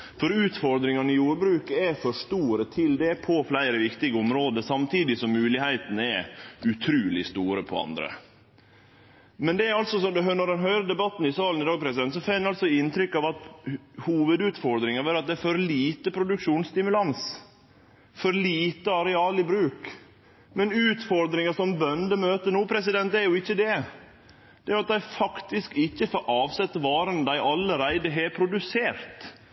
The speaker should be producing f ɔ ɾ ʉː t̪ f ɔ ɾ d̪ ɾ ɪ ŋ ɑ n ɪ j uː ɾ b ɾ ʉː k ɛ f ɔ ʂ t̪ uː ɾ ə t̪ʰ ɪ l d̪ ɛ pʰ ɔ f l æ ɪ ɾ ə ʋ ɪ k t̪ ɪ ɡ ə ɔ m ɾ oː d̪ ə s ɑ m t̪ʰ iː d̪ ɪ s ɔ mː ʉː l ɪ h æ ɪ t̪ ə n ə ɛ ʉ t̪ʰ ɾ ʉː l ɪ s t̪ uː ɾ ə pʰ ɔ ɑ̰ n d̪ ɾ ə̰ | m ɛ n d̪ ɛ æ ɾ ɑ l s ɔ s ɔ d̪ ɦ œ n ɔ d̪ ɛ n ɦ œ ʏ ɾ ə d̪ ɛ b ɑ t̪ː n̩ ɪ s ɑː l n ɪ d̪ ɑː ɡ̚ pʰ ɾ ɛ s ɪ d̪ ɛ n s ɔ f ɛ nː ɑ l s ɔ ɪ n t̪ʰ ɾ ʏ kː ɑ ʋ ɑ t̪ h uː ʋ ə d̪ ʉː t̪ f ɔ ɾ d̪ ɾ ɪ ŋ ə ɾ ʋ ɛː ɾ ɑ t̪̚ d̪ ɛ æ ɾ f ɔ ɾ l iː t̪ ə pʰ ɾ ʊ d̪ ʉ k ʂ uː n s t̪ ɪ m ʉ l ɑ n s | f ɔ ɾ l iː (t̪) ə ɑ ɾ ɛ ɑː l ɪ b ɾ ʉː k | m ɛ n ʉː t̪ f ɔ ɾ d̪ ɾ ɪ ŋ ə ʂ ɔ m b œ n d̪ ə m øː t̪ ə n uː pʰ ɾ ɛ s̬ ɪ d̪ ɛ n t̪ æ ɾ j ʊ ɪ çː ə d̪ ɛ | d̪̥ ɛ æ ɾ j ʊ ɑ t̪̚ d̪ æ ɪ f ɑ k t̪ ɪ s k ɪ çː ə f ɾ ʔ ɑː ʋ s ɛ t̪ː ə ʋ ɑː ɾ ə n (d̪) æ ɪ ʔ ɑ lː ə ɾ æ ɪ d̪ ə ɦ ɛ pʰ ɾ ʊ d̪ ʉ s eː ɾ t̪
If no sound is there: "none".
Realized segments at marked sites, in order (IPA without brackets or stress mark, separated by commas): t̪, d̪